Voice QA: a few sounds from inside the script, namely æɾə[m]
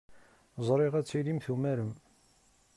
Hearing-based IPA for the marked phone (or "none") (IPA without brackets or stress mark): m